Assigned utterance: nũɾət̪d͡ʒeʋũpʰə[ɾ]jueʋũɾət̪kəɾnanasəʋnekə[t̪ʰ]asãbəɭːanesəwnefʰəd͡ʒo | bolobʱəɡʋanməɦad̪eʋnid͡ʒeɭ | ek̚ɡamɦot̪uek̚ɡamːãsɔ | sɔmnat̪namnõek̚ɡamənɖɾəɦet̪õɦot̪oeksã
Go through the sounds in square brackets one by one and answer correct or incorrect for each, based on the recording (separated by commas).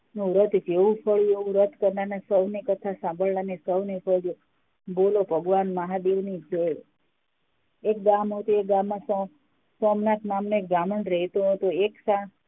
incorrect, correct